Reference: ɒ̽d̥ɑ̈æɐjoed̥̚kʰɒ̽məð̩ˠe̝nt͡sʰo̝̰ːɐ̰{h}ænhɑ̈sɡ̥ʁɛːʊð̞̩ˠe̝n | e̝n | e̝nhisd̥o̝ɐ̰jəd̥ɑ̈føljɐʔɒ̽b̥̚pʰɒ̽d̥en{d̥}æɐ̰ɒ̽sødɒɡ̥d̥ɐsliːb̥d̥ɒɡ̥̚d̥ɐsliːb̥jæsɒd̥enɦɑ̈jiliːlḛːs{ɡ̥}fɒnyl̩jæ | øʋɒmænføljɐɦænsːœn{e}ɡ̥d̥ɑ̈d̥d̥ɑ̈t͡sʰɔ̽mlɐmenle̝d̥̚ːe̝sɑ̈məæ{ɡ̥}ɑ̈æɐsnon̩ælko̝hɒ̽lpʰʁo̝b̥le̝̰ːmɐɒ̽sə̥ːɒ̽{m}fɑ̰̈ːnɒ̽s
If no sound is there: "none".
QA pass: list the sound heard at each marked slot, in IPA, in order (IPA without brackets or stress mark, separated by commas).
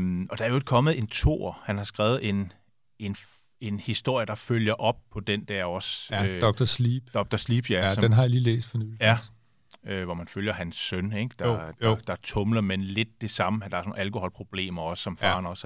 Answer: h, d̥, d̥, e, d̥, m